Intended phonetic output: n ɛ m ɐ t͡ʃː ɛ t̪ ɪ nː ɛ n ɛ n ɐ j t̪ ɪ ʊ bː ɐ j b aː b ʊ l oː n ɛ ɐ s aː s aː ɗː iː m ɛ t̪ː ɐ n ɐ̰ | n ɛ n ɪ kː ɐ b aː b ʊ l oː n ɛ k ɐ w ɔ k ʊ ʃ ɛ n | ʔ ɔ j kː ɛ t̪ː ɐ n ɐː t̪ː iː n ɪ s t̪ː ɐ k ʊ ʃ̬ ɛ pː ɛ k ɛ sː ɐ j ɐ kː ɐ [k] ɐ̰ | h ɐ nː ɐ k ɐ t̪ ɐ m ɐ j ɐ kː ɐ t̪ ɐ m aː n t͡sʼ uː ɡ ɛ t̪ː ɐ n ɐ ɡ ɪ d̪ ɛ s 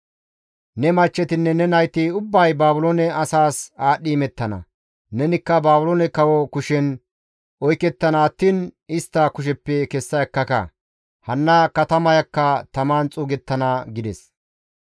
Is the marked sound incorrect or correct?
correct